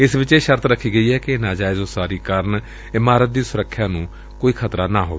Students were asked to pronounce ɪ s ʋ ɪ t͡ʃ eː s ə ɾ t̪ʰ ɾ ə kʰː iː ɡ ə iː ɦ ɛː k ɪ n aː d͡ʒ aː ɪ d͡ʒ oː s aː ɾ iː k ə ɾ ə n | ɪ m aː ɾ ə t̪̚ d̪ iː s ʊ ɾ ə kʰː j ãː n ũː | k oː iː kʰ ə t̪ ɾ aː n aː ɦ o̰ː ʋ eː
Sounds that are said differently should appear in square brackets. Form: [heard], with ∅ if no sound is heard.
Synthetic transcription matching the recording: ɪ s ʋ ɪ t͡ʃ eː [ʃ] ə ɾ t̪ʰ ɾ ə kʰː iː ɡ ə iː ɦ ɛː k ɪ n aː d͡ʒ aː ɪ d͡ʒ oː s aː ɾ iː k ə ɾ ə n | ɪ m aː ɾ ə t̪̚ d̪ iː s ʊ ɾ ə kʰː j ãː n ũː | k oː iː kʰ ə t̪ ɾ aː n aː ɦ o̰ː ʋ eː